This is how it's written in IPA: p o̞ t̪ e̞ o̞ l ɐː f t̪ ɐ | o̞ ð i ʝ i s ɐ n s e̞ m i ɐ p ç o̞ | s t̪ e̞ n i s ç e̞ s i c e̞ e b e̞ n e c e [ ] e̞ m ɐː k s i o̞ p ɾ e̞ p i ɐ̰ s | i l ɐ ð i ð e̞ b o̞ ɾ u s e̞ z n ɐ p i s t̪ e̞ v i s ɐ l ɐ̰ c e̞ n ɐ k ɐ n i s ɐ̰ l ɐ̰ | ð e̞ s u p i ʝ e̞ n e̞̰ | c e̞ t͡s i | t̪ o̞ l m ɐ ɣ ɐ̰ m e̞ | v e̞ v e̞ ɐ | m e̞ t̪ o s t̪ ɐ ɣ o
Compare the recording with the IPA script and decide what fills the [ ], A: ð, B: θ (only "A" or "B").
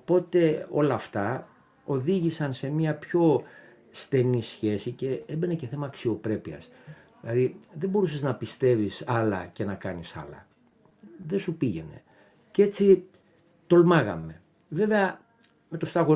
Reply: B